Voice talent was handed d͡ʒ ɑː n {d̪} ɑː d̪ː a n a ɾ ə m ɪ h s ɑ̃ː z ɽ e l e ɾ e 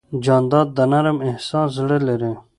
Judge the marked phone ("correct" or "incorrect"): correct